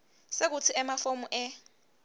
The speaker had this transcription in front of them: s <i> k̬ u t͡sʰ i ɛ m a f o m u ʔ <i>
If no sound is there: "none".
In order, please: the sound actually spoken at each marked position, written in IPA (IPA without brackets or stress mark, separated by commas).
e, ɛ